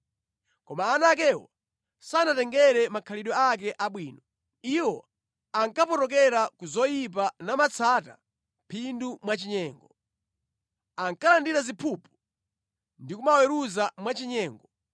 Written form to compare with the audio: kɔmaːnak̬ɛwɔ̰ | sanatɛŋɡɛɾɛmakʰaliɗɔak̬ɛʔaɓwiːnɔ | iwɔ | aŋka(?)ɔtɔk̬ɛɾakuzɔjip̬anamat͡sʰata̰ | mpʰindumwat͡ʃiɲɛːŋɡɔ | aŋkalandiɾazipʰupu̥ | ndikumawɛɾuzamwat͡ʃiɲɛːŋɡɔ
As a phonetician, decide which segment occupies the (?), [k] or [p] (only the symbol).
p